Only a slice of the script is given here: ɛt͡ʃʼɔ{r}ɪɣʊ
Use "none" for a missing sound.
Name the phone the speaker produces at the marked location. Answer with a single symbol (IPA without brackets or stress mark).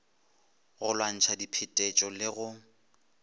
l